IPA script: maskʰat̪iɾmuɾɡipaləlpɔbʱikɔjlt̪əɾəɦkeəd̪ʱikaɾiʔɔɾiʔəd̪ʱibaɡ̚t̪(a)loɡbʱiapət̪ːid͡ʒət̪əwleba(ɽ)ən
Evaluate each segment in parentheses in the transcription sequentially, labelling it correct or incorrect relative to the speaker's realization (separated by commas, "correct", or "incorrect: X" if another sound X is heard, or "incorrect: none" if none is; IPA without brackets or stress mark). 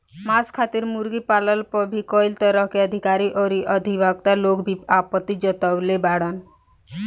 correct, correct